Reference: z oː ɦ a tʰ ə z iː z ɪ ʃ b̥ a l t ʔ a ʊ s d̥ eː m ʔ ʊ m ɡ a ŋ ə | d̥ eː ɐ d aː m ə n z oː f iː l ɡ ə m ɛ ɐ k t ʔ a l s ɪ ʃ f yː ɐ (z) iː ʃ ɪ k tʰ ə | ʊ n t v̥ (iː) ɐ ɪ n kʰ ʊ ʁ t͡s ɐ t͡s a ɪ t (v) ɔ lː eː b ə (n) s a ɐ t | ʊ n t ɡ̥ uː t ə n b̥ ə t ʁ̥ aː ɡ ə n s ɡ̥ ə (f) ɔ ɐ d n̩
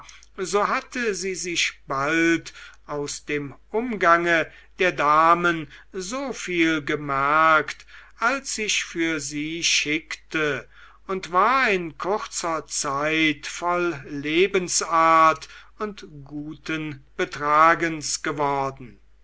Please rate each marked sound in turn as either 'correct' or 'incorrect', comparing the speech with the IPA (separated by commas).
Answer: correct, incorrect, incorrect, correct, incorrect